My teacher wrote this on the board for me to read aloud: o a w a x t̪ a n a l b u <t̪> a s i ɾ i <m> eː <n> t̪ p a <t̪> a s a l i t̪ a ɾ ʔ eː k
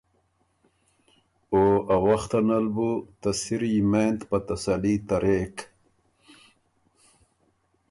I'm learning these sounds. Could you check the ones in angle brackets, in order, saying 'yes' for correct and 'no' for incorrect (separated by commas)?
yes, yes, yes, yes